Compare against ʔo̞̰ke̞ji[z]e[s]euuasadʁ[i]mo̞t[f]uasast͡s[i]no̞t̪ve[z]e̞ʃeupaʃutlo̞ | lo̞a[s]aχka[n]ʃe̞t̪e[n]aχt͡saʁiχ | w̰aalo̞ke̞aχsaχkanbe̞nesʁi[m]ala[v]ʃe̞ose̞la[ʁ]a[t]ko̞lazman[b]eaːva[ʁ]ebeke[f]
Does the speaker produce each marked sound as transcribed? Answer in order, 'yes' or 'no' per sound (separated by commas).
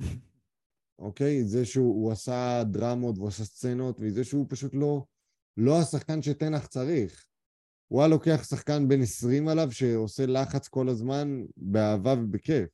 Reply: yes, no, no, no, no, yes, yes, yes, yes, yes, yes, no, no, yes, no, yes